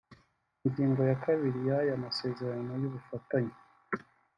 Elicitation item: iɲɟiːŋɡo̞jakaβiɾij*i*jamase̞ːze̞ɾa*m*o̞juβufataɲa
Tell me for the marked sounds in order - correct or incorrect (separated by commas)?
incorrect, incorrect